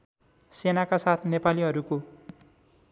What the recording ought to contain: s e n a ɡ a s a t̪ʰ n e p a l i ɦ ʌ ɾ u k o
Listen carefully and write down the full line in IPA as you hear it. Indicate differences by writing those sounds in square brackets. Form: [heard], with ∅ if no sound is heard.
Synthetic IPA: s e n a [k] a s a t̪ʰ n e p a l i ɦ ʌ ɾ u k o